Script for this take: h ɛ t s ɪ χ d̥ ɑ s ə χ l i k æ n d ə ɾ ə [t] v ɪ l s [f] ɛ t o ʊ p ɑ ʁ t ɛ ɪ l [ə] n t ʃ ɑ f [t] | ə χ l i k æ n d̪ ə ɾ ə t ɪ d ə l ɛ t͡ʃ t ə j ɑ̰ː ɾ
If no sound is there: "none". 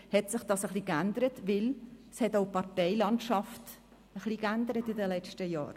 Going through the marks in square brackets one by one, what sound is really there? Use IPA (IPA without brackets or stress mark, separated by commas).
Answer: t, h, ɑ, t